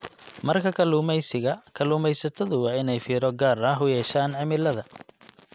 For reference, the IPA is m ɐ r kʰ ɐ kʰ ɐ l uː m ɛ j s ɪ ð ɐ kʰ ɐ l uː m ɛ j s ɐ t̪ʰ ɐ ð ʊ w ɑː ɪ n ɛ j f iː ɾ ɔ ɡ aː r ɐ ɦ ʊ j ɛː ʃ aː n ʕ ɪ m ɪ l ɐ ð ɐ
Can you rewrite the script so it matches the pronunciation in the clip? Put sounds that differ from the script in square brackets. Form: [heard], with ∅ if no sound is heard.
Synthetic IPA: m ɐ r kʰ ɐ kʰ ɐ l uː m ɛ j s ɪ [ɣ] ɐ kʰ ɐ l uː m ɛ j s ɐ t̪ʰ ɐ ð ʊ w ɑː ɪ n ɛ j f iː ɾ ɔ ɡ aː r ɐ ɦ ʊ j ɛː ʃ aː n ʕ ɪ m ɪ l ɐ ð ɐ